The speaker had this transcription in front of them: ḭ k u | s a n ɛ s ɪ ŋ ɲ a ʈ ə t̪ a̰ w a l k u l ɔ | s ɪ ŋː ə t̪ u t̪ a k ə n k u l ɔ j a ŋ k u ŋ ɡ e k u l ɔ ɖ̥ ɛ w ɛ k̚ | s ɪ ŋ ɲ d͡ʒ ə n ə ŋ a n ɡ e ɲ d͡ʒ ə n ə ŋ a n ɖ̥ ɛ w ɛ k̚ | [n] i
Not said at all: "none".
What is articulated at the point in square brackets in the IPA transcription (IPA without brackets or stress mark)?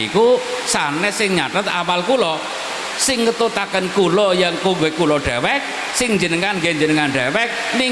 n